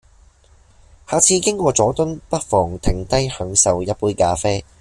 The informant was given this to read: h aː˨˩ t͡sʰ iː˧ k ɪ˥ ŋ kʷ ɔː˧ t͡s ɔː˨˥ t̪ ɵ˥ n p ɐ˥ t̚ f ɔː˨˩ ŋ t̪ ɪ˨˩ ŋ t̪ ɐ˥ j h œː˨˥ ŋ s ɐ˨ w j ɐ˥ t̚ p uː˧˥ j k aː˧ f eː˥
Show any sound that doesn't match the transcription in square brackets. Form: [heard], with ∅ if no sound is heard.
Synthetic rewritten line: h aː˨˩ t͡sʰ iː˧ k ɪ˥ ŋ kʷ ɔː˧ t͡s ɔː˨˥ t̪ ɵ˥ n p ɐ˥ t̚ f ɔː˨˩ ŋ [t̪ʰ] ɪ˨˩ ŋ t̪ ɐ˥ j h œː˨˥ ŋ s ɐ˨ w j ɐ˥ t̚ p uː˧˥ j k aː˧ f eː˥